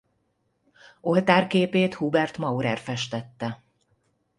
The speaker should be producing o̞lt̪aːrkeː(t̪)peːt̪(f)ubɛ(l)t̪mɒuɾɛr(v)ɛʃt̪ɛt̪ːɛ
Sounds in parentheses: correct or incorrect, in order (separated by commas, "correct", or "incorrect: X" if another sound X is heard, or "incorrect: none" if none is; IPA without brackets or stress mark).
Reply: incorrect: none, incorrect: h, incorrect: r, incorrect: f